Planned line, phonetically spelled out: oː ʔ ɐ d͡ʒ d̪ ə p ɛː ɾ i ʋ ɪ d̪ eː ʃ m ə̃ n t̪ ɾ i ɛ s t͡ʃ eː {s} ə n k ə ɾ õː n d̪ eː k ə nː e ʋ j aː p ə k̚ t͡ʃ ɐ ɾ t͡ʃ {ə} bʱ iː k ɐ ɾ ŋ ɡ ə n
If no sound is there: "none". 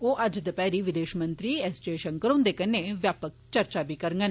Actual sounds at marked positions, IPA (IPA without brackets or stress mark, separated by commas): ʃ, a